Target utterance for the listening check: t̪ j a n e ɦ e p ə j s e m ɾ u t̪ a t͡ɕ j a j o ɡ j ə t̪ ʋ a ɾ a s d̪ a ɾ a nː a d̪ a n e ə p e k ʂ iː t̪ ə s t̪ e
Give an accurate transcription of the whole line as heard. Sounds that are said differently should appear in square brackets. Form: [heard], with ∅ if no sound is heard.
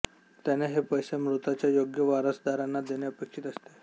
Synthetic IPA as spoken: t̪ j a n e ɦ e p ə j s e m ɾ u t̪ a t͡ɕ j a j o ɡ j ə [∅] ʋ a ɾ [ə] s d̪ a ɾ a nː a d̪ [e] n e ə p e k ʂ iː t̪ ə s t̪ e